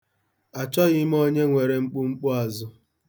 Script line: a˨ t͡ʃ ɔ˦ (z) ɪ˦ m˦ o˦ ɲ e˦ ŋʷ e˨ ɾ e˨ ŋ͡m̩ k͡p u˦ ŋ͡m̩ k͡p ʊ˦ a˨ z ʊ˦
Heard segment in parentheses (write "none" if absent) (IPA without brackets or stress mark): ɣ